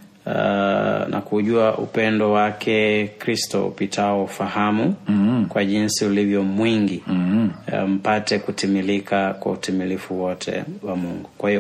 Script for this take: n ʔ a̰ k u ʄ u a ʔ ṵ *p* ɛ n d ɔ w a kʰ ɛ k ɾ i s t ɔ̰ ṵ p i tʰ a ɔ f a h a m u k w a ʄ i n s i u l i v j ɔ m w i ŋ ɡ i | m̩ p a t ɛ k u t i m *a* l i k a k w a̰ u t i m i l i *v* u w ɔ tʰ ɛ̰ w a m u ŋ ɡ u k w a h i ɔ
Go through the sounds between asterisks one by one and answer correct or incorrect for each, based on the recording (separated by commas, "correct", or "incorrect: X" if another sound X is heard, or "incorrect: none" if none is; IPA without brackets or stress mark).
correct, incorrect: i, incorrect: f